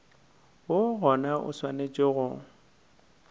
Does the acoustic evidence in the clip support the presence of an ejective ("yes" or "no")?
yes